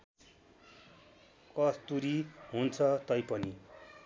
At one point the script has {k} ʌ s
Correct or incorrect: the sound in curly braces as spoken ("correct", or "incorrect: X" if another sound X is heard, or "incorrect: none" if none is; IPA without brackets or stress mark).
correct